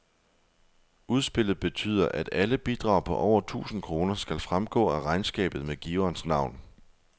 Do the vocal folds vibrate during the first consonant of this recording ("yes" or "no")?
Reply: yes